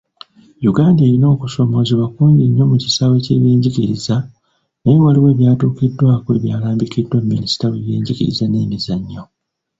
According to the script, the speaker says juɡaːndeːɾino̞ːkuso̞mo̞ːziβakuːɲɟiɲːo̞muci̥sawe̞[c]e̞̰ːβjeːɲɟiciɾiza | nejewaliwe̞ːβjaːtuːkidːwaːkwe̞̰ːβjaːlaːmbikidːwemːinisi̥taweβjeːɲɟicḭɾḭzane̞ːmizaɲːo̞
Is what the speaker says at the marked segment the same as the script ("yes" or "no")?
yes